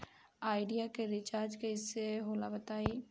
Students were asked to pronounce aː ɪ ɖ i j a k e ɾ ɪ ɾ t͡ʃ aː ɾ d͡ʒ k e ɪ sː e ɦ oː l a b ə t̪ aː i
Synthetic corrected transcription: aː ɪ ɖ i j a k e ɾ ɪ t͡ʃ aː ɾ d͡ʒ k e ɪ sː e ɦ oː l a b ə t̪ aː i